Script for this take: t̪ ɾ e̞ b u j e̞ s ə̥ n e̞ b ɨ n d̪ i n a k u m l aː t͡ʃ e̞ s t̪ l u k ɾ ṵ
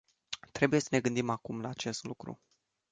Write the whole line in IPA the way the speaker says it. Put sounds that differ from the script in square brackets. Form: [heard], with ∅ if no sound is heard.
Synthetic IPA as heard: t̪ ɾ e̞ b u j e̞ s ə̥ n e̞ [ɡ] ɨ n d̪ i [m] a k u m l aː t͡ʃ e̞ s t̪ l u k ɾ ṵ